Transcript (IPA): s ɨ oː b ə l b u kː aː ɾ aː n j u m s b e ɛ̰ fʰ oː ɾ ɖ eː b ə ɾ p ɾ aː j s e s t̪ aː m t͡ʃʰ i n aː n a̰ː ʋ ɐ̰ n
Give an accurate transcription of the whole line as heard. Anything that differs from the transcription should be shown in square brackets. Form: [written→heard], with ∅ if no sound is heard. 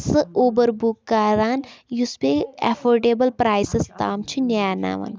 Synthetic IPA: s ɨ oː b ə [l→ɾ] b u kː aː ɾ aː n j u [m→∅] s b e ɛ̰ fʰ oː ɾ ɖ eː b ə [ɾ→l] p ɾ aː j s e s t̪ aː m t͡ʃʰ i n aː n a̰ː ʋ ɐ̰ n